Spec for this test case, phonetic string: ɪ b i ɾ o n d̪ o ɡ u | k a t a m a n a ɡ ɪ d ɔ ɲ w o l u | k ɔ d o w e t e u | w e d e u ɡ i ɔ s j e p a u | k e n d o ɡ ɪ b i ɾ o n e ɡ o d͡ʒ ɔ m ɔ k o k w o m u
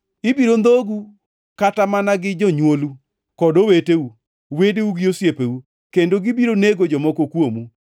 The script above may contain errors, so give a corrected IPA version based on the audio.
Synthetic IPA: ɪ b i ɾ o n d̪ o ɡ u | k a t a m a n a ɡ ɪ d͡ʒ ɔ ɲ w o l u | k ɔ d o w e t e u | w e d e u ɡ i o s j e p e u | k e n d o ɡ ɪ b i ɾ o n e ɡ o d͡ʒ ɔ m ɔ k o k w o m u

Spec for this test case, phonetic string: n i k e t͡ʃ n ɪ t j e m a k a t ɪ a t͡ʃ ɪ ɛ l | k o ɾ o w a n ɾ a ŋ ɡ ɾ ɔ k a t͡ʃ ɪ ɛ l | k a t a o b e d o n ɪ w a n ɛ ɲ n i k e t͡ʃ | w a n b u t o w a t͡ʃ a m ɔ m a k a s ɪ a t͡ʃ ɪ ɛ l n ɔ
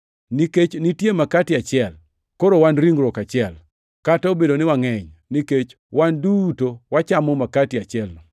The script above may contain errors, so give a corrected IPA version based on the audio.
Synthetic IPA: n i k e t͡ʃ n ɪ t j e m a k a t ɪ a t͡ʃ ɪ ɛ l | k o ɾ o w a n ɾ i ŋ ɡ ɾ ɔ k a t͡ʃ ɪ ɛ l | k a t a o b e d o n ɪ w a ŋ ɛ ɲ n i k e t͡ʃ | w a n d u t o w a t͡ʃ a m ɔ m a k a t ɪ a t͡ʃ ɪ ɛ l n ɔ

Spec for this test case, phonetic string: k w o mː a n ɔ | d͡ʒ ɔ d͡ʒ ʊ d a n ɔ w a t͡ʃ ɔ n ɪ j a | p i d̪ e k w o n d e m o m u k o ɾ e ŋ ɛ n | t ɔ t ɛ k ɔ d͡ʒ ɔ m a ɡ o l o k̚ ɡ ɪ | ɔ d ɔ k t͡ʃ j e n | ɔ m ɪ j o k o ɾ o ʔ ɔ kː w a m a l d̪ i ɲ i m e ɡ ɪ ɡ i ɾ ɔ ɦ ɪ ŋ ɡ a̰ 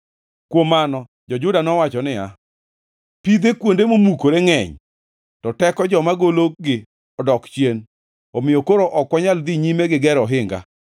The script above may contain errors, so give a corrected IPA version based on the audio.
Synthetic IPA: k w o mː a n ɔ | d͡ʒ ɔ d͡ʒ ʊ d a n ɔ w a t͡ʃ ɔ n ɪ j a | p i d̪ e k w o n d e m o m u k o ɾ e ŋ ɛ ɲ | t ɔ t ɛ k ɔ d͡ʒ ɔ m a ɡ o l o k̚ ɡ ɪ | ɔ d ɔ k t͡ʃ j e n | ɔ m ɪ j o k o ɾ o ʔ ɔ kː w a ɲ a l d̪ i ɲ i m e ɡ ɪ ɡ ɛ ɾ ɔ ɦ ɪ ŋ ɡ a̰

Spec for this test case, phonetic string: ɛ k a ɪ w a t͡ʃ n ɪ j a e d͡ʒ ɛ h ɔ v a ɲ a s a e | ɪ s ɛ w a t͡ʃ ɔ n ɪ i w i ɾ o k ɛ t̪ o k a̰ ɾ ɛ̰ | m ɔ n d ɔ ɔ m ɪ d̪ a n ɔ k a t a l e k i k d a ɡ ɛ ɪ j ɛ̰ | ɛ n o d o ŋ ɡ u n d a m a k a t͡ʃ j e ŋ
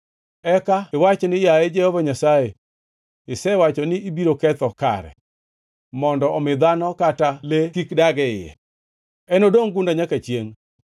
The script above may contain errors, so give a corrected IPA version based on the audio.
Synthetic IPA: ɛ k a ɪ w a t͡ʃ n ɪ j a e d͡ʒ ɛ h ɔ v a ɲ a s a e | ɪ s ɛ w a t͡ʃ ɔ n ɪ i b i ɾ o k ɛ t̪ ɔ k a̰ ɾ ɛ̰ | m ɔ n d ɔ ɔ m ɪ d̪ a n ɔ k a t a l e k i k d a ɡ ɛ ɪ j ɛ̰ | ɛ n o d o ŋ ɡ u n d a ɲ a k a t͡ʃ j e ŋ

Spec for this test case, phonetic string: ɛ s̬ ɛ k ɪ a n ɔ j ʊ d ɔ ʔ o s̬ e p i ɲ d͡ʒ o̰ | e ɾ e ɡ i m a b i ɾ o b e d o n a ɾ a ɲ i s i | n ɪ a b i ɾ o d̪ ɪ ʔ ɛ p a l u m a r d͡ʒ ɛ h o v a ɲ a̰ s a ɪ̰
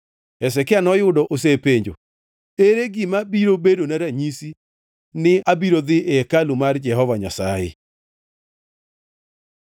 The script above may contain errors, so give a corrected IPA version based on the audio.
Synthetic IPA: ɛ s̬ ɛ k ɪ a n ɔ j ʊ d ɔ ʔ o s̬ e p e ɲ d͡ʒ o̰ | e ɾ e ɡ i m a b i ɾ o b e d o n a ɾ a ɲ i s i | n ɪ a b i ɾ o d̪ ɪ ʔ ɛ k a l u m a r d͡ʒ ɛ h ɔ v a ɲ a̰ s a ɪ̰

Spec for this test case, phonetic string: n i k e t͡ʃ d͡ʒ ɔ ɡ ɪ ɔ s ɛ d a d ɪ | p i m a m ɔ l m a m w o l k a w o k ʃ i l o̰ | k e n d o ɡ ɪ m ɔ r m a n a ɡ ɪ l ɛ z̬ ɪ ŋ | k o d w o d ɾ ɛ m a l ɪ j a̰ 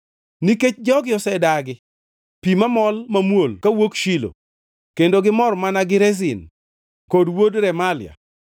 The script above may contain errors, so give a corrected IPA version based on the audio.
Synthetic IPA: n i k e t͡ʃ d͡ʒ ɔ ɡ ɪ ɔ s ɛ d a ɡ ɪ | p i m a m ɔ l m a m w o l k a w o k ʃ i l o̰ | k e n d o ɡ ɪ m ɔ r m a n a ɡ ɪ ɾ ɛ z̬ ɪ n | k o d w o d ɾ ɛ m a l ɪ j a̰

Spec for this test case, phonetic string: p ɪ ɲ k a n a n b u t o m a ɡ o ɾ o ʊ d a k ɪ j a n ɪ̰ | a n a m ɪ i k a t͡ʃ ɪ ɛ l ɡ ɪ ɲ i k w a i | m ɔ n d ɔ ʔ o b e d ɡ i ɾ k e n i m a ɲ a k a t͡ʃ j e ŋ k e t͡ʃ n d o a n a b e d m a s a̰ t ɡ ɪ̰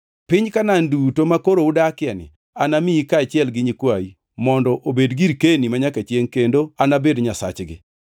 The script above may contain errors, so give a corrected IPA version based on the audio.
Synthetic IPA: p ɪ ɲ k a n a n d u t o m a k o ɾ o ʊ d a k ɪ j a n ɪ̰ | a n a m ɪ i k a t͡ʃ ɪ ɛ l ɡ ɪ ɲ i k w a i | m ɔ n d ɔ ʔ o b e d ɡ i ɾ k e n i m a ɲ a k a t͡ʃ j e ŋ k e n d o a n a b e d ɲ a s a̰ t͡ʃ ɡ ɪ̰

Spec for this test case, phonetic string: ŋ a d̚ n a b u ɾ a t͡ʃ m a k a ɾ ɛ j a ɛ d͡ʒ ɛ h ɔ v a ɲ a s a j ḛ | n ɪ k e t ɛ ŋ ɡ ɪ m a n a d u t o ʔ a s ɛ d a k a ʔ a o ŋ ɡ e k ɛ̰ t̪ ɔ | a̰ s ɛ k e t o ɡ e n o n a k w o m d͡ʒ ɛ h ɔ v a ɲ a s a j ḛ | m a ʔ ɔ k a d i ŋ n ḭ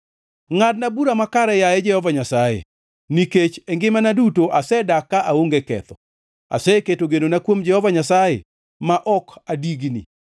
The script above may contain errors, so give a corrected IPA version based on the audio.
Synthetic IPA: ŋ a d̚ n a b u ɾ a m a k a ɾ ɛ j a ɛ d͡ʒ ɛ h ɔ v a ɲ a s a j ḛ | n i k e t͡ʃ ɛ ŋ ɡ ɪ m a n a d u t o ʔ a s ɛ d a k a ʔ a o ŋ ɡ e k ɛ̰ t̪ ɔ | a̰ s ɛ k e t o ɡ e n o n a k w o m d͡ʒ ɛ h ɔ v a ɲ a s a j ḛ | m a ʔ ɔ k a d i ɡ n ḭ

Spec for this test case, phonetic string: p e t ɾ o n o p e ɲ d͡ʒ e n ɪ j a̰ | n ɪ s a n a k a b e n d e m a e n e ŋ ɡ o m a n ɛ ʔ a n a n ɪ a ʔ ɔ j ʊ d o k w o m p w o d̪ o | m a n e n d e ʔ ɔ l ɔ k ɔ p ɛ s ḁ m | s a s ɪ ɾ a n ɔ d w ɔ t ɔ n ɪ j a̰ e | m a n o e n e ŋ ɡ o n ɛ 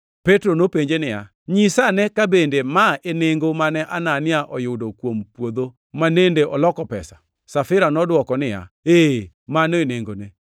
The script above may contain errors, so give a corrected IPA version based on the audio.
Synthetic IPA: p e t ɾ o n o p e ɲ d͡ʒ e n ɪ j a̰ | ɲ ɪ s a n ɛ k a b e n d e m a e n e ŋ ɡ o m a n ɛ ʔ a n a n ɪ a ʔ ɔ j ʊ d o k w o m p w o d̪ o | m a n e n d e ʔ ɔ l ɔ k ɔ p ɛ s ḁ | s a f ɪ ɾ a n ɔ d w ɔ k ɔ n ɪ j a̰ e | m a n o e n e ŋ ɡ o n e

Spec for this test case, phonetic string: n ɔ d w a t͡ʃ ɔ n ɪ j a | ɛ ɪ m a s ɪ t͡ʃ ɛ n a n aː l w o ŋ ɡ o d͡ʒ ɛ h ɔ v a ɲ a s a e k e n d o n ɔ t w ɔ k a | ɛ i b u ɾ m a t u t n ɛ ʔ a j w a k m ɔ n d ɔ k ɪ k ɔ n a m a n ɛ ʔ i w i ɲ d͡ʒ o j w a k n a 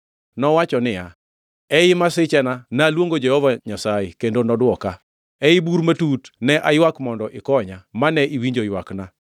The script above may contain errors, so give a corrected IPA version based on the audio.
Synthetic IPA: n ɔ w a t͡ʃ ɔ n ɪ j a | ɛ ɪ m a s ɪ t͡ʃ ɛ n a n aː l w o ŋ ɡ o d͡ʒ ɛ h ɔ v a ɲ a s a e k e n d o n ɔ d w ɔ k a | ɛ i b u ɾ m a t u t n ɛ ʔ a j w a k m ɔ n d ɔ ʔ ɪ k ɔ ɲ a m a n ɛ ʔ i w i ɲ d͡ʒ o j w a k n a

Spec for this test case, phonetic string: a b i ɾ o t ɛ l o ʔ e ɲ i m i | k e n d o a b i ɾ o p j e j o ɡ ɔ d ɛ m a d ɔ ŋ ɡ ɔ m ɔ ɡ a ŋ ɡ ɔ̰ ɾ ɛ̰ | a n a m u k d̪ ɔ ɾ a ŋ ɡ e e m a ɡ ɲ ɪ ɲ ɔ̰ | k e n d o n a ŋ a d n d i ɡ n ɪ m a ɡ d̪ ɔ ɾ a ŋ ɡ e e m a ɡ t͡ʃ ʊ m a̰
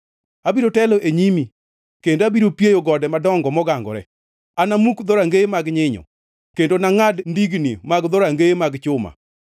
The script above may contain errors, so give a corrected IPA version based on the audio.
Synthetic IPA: a b i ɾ o t ɛ l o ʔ e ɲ i m i | k e n d o a b i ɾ o p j e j o ɡ ɔ d ɛ m a d ɔ ŋ ɡ ɔ m ɔ ɡ a ŋ ɡ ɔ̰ ɾ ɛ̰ | a n a m u k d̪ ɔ ɾ a ŋ ɡ e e m a ɡ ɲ ɪ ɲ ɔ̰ | k e n d o n a ŋ a d n d i ɡ n i m a ɡ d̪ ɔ ɾ a ŋ ɡ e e m a ɡ t͡ʃ ʊ m a̰

